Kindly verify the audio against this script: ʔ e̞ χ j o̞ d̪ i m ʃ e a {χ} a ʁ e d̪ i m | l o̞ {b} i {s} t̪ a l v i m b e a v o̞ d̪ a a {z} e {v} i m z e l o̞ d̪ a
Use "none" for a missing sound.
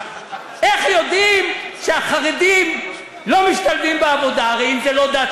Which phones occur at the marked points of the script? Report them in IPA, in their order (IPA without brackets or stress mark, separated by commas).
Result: χ, m, ʃ, ʁ, none